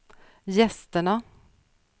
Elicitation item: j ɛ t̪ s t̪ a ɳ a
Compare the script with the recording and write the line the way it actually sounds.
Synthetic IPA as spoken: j ɛ s t̪ ə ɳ a